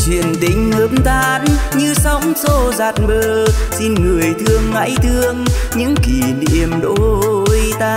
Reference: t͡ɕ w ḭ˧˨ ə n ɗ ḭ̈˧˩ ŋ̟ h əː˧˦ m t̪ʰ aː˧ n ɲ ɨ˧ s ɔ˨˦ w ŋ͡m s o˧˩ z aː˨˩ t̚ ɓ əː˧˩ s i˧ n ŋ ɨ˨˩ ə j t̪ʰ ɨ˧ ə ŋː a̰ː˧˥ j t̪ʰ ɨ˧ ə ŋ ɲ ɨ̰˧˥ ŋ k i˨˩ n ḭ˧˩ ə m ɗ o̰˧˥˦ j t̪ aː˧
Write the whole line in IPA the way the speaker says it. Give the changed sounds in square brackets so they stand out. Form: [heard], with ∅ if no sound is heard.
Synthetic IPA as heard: t͡ɕ w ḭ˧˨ ə n ɗ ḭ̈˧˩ ŋ̟ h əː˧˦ m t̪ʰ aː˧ n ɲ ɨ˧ s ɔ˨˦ w ŋ͡m s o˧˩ z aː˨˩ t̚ ɓ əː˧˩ s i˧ n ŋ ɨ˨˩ ə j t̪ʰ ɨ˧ ə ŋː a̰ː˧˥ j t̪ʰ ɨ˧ ə ŋ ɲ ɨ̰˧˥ ŋ k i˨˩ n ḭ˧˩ ə m ɗ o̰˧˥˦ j t̪ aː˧